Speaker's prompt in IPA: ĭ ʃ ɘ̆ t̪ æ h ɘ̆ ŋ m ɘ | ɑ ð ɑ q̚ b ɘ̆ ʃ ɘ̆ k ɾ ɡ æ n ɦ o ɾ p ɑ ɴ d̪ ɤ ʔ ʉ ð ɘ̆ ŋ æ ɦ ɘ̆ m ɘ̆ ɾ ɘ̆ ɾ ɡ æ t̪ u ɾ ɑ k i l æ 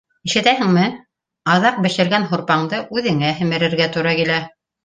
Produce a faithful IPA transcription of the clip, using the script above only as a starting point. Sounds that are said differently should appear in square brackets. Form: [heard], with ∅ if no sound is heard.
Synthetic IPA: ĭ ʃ ɘ̆ t̪ æ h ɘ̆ ŋ m ɘ | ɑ ð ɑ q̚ b ɘ̆ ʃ ɘ̆ [∅] ɾ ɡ æ n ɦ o ɾ p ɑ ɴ d̪ ɤ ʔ ʉ ð ɘ̆ ŋ æ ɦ ɘ̆ m ɘ̆ ɾ ɘ̆ ɾ ɡ æ t̪ u ɾ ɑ k i l æ